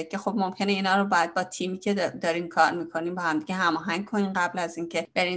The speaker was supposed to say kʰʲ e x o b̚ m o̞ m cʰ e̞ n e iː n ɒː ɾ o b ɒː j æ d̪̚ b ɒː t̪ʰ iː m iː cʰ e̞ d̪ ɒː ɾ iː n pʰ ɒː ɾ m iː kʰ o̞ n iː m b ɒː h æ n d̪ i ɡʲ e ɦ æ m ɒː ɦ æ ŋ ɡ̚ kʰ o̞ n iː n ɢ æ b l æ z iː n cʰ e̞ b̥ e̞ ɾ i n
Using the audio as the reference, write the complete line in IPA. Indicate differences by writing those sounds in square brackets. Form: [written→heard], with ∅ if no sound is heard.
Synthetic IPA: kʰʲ e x o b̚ m o̞ m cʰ e̞ n e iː n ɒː ɾ o b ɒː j æ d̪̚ b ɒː t̪ʰ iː m iː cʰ e̞ d̪ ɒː ɾ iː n [pʰ→kʰ] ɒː ɾ m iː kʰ o̞ n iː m b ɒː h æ [n→m] d̪ i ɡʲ e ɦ æ m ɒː ɦ æ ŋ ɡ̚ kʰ o̞ n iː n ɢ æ b l æ z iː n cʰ e̞ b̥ e̞ ɾ i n